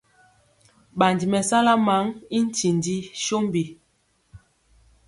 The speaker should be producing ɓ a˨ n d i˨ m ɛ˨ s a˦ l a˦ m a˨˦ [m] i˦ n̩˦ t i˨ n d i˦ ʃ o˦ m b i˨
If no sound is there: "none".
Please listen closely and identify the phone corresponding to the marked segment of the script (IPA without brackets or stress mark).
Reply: ŋ